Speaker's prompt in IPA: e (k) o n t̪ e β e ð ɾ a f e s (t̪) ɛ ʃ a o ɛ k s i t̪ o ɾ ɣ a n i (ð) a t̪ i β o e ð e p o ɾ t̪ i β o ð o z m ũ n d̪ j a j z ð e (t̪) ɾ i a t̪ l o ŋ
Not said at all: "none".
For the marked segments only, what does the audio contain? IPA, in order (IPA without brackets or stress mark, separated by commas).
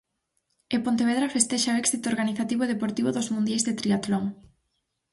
p, t̪, θ, t̪